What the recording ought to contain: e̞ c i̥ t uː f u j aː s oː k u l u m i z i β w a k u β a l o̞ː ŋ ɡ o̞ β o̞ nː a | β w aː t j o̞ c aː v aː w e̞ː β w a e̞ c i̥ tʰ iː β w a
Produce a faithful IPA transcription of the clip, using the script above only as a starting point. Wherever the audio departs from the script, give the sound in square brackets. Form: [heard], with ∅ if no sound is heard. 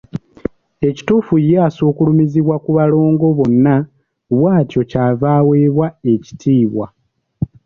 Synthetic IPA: e̞ c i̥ t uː f u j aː s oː k u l u m i z i β w a k u β a l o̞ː ŋ ɡ o̞ β o̞ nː a | β w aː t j o̞ c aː v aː w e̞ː β w a e̞ c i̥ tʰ iː β w a